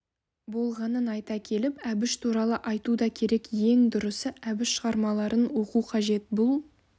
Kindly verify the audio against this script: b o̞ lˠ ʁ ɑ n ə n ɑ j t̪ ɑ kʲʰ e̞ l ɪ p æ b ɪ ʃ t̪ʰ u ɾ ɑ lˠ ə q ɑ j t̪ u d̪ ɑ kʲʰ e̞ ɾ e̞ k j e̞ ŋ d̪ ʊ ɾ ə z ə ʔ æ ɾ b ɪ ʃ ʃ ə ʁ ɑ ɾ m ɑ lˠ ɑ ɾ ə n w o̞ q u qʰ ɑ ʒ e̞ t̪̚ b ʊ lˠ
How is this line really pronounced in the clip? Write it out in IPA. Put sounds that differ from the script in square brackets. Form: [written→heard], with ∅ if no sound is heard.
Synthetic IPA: b o̞ lˠ ʁ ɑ n ə n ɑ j t̪ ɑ kʲʰ e̞ l ɪ p æ b ɪ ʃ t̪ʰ u ɾ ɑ lˠ ə [q→ʔ] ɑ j t̪ u d̪ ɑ kʲʰ e̞ ɾ e̞ k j e̞ ŋ d̪ ʊ ɾ ə [z→s] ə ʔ æ [ɾ→∅] b ɪ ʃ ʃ ə ʁ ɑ ɾ m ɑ lˠ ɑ ɾ ə n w o̞ q u qʰ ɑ ʒ e̞ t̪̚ b ʊ lˠ